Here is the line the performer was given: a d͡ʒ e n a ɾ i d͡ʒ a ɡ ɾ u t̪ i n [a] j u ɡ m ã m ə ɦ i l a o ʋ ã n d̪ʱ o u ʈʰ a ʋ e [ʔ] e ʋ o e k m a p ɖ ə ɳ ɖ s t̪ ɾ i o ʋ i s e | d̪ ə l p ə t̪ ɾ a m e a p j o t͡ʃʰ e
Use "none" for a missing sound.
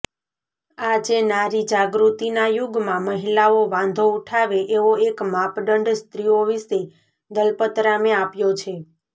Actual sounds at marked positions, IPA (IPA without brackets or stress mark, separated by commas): a, ʔ